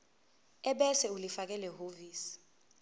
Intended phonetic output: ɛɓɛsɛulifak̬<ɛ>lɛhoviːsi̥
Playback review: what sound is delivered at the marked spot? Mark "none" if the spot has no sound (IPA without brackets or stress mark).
ɛ